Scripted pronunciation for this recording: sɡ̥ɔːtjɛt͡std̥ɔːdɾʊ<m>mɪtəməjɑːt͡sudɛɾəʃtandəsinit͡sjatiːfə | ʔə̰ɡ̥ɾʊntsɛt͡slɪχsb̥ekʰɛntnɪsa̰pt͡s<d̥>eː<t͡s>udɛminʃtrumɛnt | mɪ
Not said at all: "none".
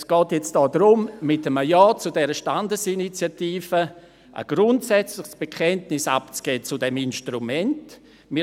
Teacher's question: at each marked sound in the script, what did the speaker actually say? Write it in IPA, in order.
m, ɡ̥, t͡s

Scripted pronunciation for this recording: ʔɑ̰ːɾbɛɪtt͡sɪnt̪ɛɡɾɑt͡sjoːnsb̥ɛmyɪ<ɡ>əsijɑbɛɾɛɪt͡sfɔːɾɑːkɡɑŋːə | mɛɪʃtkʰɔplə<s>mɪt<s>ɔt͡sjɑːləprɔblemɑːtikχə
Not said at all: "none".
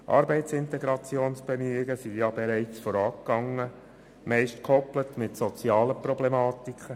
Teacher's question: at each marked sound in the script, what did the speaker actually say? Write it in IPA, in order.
ɡ, t, s

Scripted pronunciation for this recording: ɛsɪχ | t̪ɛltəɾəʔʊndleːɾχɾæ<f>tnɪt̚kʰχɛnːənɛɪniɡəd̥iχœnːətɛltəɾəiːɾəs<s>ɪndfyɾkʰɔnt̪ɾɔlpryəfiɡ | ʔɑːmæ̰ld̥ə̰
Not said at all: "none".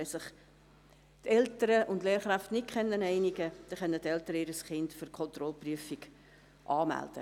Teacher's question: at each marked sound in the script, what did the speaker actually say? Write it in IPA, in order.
f, χ

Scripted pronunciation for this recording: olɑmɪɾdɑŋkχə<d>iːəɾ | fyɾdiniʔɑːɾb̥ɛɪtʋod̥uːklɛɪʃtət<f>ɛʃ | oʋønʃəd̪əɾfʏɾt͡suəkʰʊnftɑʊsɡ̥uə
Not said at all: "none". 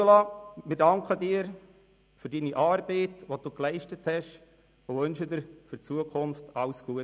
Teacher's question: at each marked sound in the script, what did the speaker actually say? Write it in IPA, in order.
d, h

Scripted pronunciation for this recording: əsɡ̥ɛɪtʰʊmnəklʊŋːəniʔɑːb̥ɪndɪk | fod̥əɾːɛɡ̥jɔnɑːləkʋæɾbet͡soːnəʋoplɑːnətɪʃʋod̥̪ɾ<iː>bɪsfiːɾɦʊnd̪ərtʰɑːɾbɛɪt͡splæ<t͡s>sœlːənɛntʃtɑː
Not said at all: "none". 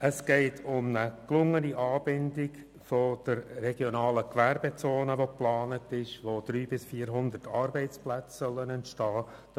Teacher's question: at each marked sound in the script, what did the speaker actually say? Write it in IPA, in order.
yː, t͡s

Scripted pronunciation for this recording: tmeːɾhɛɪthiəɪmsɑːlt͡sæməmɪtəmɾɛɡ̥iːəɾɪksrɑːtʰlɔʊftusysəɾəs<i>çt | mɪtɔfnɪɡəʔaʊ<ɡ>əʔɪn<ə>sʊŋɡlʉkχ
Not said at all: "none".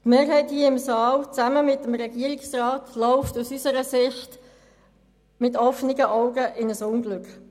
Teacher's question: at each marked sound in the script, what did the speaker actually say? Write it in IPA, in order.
ɪ, ɡ, ə

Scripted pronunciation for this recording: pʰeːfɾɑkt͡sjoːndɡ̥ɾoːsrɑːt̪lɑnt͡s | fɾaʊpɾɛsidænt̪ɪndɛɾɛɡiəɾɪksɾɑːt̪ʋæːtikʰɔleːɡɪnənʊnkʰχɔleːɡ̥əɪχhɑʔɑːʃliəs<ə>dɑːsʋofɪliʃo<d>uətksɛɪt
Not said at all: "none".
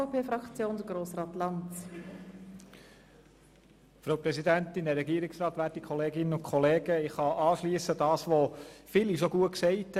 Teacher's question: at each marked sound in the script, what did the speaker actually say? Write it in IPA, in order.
ə, ɡ

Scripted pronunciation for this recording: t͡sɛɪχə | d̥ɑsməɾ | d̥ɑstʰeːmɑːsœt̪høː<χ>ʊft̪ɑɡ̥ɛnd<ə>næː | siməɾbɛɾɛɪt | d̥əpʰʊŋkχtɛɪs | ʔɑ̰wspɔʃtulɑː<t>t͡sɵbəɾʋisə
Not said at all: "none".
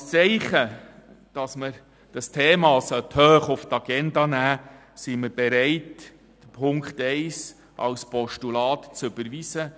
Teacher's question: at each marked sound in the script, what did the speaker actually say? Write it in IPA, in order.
χ, ɑ, t

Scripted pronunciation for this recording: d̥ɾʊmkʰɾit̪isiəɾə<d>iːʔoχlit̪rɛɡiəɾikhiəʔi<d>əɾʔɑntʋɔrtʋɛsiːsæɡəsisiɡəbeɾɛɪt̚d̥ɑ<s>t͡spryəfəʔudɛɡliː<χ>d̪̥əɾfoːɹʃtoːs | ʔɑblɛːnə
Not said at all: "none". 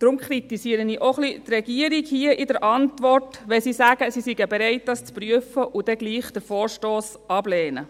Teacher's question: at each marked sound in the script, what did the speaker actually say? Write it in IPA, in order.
n, d, s, χ

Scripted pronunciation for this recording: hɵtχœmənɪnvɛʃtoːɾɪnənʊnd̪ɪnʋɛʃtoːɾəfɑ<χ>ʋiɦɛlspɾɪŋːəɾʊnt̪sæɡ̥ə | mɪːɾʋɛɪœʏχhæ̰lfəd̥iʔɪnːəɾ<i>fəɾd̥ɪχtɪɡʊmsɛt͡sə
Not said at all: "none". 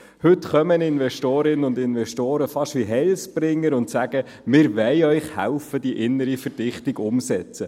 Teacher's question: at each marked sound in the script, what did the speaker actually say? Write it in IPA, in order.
ʃ, i

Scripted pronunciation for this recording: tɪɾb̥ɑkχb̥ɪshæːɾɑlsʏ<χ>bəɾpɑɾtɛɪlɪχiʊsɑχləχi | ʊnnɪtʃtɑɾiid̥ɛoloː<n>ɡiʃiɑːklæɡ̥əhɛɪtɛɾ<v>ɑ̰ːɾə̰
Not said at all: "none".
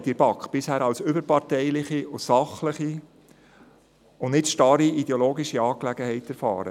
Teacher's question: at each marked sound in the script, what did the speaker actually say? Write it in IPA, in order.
none, none, f

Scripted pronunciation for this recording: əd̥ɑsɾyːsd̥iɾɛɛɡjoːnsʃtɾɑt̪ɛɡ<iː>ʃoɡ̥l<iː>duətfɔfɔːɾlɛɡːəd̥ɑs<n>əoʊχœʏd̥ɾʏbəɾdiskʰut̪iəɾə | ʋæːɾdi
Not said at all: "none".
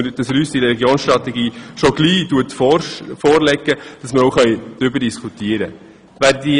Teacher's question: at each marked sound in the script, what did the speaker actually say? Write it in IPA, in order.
iː, iː, m

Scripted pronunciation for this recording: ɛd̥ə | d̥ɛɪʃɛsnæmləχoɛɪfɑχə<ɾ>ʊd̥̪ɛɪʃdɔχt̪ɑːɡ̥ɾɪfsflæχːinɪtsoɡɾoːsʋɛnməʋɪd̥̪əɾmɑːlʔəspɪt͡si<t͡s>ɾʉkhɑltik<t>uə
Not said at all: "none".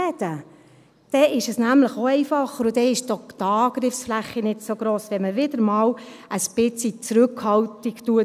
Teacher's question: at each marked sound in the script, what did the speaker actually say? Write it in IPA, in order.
ɾ, t͡s, t

